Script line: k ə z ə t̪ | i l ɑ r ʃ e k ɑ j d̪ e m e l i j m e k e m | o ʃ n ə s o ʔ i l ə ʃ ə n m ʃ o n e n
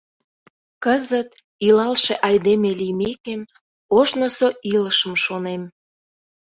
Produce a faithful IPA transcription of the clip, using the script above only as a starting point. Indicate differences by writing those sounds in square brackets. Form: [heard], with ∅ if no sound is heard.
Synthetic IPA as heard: k ə z ə t̪ | i l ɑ [l] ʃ e [ʔ] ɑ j d̪ e m e l i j m e k e m | o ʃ n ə s o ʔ i l ə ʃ ə [∅] m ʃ o n e [m]